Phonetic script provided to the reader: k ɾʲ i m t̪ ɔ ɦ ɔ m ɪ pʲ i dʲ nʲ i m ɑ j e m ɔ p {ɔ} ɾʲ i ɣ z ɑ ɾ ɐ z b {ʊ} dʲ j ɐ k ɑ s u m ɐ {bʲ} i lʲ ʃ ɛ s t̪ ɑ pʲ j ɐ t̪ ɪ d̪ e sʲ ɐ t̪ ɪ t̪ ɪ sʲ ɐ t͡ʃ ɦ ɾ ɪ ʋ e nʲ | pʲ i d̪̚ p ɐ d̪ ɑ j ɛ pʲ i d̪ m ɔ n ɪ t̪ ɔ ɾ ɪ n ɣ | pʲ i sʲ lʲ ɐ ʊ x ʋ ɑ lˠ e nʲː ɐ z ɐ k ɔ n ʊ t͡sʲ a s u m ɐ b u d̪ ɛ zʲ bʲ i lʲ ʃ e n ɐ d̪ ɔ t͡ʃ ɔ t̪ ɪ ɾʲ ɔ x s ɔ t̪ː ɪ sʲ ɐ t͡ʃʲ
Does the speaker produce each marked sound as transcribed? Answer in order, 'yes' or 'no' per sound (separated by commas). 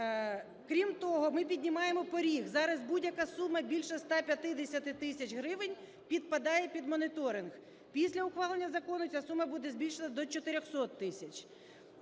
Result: yes, no, yes